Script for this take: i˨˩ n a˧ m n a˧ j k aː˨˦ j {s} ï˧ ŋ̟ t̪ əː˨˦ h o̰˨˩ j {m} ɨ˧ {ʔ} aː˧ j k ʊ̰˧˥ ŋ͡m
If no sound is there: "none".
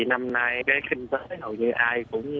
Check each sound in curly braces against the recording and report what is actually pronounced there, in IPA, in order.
x, ɲ, ʔ

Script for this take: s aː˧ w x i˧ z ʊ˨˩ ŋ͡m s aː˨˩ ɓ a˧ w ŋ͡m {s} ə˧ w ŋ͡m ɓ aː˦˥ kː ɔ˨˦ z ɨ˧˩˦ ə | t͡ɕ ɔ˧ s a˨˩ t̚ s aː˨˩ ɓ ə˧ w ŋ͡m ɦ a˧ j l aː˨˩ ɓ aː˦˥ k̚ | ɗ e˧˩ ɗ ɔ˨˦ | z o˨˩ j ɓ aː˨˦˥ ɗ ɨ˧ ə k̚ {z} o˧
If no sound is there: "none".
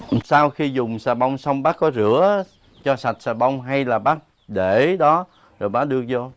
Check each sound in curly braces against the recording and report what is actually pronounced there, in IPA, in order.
s, z

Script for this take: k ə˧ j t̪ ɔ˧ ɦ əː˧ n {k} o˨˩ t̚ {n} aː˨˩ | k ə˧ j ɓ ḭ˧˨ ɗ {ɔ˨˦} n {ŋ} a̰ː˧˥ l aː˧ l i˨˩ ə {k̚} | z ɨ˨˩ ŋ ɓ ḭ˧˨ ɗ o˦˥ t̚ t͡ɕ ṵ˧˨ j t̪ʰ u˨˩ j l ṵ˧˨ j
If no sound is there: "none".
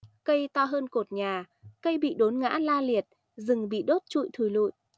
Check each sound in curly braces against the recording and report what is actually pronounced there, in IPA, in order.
k, ɲ, o˨˦, ŋ, t̚

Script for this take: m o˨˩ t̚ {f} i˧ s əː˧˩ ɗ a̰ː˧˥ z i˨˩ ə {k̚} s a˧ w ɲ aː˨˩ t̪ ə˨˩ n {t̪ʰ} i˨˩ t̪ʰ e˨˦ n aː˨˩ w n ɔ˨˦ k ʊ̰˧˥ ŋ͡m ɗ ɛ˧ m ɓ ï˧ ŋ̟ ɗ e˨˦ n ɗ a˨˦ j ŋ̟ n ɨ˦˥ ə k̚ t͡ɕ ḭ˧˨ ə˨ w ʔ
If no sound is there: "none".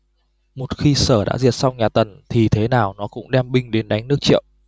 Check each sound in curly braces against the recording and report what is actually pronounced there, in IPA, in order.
x, t̚, t̪ʰ

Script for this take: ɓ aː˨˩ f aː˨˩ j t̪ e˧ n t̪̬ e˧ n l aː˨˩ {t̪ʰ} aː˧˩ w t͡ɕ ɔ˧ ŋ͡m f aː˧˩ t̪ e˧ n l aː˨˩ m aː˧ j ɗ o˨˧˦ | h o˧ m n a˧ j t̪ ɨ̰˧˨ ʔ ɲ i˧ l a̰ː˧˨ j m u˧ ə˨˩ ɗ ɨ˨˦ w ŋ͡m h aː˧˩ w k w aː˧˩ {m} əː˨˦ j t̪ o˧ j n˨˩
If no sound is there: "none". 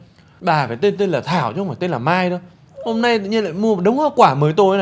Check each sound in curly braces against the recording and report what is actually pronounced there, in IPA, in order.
t̪ʰ, m

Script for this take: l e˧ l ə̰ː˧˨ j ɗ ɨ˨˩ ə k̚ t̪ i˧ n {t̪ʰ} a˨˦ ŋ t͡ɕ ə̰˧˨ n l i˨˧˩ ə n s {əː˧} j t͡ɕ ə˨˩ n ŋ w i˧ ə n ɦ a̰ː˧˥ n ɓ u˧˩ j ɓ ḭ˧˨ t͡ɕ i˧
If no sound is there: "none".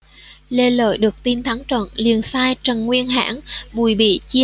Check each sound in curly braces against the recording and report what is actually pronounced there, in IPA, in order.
t̪ʰ, aː˧

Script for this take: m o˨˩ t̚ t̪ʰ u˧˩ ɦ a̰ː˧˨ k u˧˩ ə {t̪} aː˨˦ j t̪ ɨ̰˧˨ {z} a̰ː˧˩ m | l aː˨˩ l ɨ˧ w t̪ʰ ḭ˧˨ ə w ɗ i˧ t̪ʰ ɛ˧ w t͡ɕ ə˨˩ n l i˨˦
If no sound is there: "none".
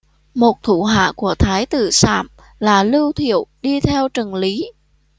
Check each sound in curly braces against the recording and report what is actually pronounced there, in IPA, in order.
t̪ʰ, s

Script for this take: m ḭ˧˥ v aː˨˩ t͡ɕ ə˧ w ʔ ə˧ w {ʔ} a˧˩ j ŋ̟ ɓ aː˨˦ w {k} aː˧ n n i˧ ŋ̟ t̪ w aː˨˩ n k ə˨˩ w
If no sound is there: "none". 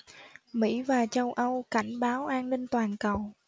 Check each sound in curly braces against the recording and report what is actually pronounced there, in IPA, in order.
k, ʔ

